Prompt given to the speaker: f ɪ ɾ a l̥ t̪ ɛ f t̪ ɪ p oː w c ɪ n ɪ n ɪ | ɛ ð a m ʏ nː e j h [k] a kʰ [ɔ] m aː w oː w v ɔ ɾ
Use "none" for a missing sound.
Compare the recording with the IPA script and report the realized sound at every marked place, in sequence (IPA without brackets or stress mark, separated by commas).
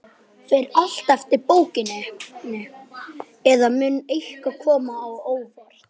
k, ɔː